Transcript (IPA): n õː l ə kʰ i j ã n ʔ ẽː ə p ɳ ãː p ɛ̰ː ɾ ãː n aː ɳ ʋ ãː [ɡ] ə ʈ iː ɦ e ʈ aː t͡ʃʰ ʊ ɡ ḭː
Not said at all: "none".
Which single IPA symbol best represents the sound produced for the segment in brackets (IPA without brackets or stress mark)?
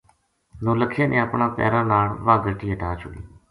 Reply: ɡ